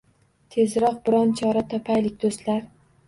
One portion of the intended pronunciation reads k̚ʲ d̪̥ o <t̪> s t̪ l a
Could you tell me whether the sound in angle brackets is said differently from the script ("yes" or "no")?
yes